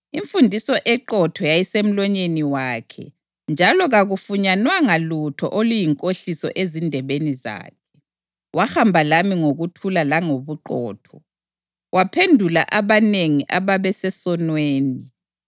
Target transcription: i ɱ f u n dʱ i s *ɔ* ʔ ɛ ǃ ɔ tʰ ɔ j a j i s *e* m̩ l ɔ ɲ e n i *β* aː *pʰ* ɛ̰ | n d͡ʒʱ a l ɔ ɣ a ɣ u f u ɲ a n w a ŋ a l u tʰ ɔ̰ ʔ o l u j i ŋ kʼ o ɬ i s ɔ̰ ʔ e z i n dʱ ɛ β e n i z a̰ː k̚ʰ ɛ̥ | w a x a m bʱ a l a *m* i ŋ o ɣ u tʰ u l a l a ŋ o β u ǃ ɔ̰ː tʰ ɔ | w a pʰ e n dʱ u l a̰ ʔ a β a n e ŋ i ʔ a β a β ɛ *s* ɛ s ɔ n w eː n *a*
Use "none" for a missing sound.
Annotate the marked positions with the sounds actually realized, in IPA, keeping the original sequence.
ɔ, e, w, kʰ, m, s, i

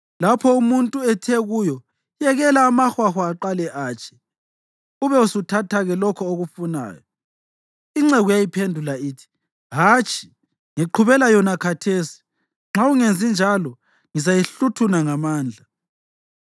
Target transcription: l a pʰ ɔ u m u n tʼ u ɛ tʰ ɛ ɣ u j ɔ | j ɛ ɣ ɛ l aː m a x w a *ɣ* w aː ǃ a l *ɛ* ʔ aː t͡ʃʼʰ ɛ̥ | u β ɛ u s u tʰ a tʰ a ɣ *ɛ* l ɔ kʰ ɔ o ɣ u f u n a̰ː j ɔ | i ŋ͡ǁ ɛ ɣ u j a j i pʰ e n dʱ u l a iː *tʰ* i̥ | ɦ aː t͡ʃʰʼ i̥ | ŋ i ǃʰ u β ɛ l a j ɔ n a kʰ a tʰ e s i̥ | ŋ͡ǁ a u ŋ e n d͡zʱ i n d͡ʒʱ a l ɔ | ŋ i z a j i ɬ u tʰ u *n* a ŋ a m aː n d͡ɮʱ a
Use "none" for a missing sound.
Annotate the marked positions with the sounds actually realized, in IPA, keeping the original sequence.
x, ɛ, ɛ, tʰ, n

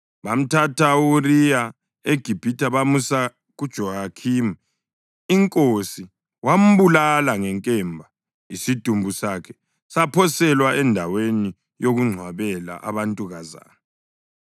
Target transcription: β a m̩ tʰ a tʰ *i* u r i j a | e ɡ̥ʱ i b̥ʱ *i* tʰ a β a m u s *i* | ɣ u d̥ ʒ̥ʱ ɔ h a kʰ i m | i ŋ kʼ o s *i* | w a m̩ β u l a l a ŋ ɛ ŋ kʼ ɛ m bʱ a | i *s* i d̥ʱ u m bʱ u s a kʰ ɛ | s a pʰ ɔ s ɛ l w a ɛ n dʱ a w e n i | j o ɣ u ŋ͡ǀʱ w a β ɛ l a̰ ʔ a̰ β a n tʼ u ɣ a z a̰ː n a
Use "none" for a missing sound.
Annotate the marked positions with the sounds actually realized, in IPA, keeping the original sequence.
a, i, a, i, s

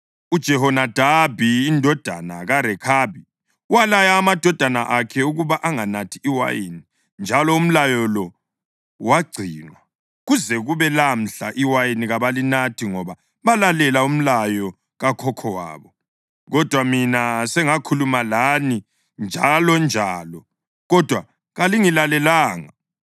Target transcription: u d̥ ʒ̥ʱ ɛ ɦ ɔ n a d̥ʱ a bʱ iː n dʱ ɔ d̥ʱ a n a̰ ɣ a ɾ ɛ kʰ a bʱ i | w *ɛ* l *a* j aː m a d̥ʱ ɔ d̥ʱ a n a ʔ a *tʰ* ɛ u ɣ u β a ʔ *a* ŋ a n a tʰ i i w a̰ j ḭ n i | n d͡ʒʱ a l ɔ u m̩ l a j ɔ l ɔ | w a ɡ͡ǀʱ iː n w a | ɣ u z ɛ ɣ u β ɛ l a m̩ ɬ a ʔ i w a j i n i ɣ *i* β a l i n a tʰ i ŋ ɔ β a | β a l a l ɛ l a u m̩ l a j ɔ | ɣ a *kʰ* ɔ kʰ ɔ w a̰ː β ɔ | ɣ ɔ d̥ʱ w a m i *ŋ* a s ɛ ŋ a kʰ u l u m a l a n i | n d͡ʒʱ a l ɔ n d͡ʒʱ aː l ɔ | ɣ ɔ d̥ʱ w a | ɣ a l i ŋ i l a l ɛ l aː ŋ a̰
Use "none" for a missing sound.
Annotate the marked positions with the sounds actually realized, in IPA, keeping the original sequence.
a, a, kʰ, a, a, kʰ, n

